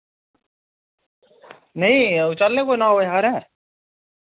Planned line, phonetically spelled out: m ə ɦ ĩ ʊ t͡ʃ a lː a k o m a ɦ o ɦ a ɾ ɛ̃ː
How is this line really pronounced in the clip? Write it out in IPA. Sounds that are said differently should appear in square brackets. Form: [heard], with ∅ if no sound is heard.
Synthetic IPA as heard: [n] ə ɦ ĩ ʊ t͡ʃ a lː [e] k o [n] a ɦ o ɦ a ɾ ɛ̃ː